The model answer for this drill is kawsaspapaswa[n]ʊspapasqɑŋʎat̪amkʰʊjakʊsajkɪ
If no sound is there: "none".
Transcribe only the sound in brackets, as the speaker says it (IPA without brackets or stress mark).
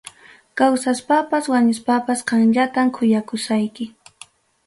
ɲ